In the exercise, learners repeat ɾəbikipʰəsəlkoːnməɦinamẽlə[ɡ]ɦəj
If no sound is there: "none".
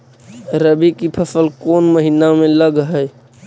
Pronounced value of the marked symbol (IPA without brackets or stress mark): ɡ